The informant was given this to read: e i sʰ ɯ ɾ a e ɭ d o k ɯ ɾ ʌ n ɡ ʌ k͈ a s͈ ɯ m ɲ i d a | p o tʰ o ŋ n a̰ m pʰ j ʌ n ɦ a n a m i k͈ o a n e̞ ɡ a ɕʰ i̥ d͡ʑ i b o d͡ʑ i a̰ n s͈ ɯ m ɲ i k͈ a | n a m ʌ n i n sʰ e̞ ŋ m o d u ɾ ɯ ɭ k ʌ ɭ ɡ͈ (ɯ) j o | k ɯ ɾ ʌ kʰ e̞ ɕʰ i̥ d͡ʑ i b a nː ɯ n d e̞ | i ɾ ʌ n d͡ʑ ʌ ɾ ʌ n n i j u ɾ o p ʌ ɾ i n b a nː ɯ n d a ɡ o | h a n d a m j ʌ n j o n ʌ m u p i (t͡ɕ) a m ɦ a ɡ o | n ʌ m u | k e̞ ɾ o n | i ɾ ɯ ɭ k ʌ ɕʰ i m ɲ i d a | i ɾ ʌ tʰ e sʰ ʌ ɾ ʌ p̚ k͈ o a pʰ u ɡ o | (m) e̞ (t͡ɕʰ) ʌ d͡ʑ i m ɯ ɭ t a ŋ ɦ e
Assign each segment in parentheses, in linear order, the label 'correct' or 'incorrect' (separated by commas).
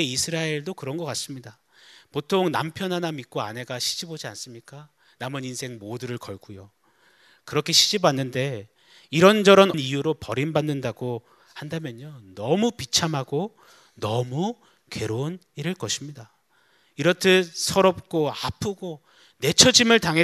incorrect, incorrect, incorrect, correct